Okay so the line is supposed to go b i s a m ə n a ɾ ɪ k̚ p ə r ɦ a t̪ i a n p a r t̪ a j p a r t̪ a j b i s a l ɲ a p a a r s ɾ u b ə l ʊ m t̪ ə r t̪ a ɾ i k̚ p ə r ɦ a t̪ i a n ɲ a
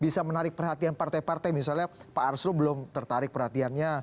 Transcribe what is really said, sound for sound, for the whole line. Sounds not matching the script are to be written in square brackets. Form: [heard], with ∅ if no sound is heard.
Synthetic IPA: b i s a m ə n a ɾ ɪ k̚ p ə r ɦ a t̪ i a n p a r t̪ a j p a r t̪ a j [m] i s a l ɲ a p a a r s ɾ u b ə l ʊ m t̪ ə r t̪ a ɾ [ɪ] k̚ p ə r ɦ a t̪ i a n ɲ a